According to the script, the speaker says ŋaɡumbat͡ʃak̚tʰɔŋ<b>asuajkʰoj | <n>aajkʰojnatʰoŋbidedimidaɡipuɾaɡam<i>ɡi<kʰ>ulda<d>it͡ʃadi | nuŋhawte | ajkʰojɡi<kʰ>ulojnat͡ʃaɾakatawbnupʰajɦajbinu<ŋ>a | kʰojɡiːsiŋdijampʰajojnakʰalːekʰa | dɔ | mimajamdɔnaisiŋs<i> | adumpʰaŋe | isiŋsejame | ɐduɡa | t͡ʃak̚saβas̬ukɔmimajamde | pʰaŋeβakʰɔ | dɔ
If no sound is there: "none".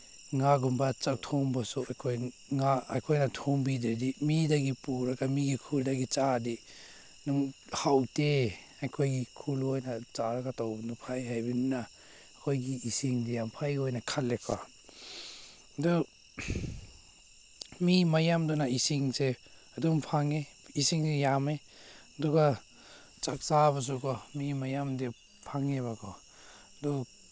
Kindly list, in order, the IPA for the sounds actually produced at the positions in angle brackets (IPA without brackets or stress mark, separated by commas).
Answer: b, ŋ, i, kʰ, ɡ, kʰ, n, e